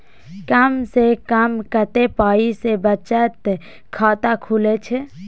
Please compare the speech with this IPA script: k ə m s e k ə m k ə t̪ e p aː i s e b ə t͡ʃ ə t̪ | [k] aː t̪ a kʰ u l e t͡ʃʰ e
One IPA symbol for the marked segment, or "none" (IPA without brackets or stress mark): kʰ